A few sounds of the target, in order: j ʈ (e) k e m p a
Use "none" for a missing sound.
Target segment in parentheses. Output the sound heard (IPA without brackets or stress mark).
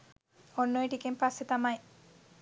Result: i